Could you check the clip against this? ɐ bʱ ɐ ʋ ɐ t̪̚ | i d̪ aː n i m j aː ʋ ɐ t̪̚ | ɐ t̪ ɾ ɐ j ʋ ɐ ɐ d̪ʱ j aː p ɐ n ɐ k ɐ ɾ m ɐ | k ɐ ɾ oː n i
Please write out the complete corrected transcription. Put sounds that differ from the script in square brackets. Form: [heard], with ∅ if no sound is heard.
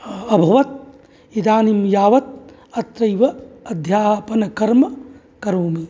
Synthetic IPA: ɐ bʱ ɐ ʋ ɐ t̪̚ | i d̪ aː n i m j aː ʋ ɐ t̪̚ | ɐ t̪ ɾ ɐ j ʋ ɐ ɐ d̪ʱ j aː p ɐ n ɐ k ɐ ɾ m ɐ | k ɐ ɾ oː [m] i